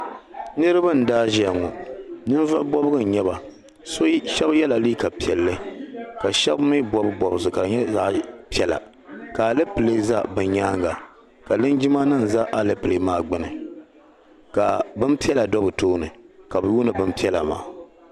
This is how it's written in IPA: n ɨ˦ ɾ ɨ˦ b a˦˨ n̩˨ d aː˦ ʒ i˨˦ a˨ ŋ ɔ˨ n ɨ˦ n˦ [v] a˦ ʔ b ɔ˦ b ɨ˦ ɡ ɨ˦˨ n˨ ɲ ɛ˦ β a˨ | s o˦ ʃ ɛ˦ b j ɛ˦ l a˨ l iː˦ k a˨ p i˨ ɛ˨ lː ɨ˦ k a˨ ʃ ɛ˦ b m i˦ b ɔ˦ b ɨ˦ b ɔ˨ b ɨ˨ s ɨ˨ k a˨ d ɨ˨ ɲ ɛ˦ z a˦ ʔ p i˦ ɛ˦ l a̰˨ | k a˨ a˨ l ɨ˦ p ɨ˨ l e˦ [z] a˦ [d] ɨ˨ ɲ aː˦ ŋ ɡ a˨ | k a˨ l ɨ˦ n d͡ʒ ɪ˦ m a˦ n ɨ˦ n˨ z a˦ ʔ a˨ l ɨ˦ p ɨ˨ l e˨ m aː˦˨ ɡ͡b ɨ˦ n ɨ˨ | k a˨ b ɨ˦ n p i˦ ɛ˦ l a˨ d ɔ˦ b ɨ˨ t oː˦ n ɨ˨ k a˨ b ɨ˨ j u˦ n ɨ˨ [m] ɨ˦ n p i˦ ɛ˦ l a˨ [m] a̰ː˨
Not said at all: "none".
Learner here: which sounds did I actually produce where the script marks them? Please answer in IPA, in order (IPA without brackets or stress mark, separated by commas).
v, z, b, b, m